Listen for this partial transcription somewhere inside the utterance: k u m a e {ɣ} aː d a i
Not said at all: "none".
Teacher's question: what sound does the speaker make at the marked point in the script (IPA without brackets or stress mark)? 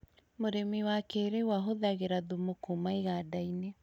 ɣ